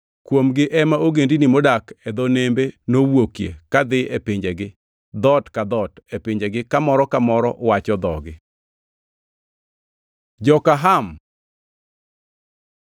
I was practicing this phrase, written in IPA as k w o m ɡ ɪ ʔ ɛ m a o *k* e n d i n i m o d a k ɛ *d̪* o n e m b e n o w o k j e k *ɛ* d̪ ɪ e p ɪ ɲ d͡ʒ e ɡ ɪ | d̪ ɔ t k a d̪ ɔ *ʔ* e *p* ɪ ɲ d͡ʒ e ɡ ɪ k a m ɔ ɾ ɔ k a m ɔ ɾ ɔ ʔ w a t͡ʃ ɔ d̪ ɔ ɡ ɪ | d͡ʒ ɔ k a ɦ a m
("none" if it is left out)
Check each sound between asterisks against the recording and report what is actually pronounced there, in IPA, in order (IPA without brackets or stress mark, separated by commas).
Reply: ɡ, d̪, a, t, p